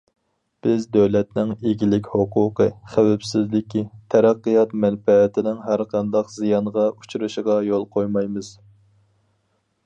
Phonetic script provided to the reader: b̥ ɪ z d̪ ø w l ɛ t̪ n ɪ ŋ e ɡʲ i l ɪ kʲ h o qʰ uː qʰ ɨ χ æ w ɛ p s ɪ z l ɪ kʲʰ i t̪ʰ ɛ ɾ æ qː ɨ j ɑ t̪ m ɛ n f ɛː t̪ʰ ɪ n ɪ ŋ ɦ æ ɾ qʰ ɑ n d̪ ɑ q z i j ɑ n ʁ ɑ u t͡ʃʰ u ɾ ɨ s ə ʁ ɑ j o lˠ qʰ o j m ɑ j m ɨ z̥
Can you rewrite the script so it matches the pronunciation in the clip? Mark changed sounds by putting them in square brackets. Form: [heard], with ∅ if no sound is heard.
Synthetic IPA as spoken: b̥ ɪ z d̪ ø w l ɛ t̪ n ɪ ŋ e ɡʲ i l ɪ kʲ h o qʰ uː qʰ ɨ χ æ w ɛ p s ɪ z l ɪ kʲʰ i t̪ʰ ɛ ɾ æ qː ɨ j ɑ t̪ m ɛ n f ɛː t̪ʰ ɪ n ɪ ŋ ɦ æ ɾ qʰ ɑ n d̪ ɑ q z i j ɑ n ʁ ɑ u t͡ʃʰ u ɾ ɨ [ʃ] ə ʁ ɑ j o lˠ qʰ o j m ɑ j m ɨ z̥

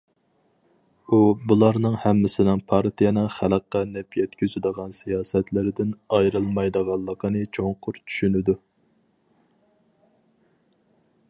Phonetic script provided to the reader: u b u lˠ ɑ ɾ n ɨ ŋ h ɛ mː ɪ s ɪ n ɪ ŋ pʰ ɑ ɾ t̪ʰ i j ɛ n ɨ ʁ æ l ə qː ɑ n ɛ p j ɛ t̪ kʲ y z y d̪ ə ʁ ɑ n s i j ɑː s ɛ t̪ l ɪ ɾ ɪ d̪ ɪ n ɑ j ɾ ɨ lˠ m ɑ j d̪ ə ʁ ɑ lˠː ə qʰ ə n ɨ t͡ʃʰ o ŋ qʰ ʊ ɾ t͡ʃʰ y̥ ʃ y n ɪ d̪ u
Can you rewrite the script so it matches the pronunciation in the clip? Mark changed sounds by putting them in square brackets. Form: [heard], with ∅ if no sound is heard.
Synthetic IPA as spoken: u b u lˠ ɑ ɾ n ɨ ŋ h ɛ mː ɪ s ɪ n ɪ ŋ pʰ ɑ ɾ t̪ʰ i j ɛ n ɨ [χ] æ l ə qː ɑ n ɛ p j ɛ t̪ kʲ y z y d̪ ə ʁ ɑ n s i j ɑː s ɛ t̪ l ɪ ɾ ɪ d̪ ɪ n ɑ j ɾ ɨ lˠ m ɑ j d̪ ə ʁ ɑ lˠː ə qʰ ə n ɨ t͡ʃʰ o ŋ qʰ ʊ ɾ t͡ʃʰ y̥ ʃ y n ɪ d̪ u

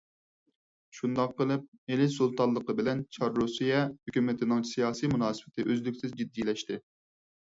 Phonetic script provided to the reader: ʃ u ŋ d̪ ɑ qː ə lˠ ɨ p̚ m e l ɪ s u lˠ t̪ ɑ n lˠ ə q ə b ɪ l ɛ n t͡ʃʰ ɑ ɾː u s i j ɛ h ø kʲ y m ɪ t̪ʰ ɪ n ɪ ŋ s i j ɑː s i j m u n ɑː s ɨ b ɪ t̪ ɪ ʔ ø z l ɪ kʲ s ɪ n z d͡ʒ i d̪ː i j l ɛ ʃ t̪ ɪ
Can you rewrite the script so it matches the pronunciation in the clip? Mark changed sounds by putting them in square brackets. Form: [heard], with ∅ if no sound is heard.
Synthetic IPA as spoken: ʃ u [n] d̪ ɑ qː ə lˠ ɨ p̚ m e l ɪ s u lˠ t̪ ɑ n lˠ ə q ə b ɪ l ɛ n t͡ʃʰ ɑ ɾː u s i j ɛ h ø kʲ y m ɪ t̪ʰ ɪ n ɪ ŋ s i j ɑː s i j m u n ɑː s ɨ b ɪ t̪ ɪ ʔ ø z l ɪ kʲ s ɪ [∅] z d͡ʒ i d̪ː i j l ɛ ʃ t̪ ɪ

